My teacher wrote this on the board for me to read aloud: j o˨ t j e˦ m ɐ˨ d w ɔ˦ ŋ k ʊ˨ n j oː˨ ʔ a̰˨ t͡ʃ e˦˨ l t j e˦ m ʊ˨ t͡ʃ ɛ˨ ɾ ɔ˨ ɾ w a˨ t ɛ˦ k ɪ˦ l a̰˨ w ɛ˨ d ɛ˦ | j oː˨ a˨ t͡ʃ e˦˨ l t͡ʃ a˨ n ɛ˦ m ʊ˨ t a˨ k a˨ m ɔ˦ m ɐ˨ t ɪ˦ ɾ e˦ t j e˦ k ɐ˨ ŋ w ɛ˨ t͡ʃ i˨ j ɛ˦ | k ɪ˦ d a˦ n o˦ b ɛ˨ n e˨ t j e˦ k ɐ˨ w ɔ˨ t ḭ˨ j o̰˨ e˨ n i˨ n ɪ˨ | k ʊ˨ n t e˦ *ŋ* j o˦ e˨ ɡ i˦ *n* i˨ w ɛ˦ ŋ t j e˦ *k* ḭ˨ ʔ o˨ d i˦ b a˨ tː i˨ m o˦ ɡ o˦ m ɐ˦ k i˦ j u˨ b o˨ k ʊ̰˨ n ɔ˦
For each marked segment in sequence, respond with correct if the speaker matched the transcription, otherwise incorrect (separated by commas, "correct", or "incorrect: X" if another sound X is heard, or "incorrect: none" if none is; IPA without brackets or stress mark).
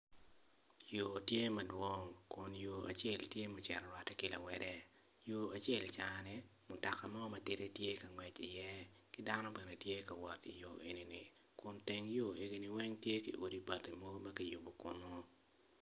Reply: correct, correct, correct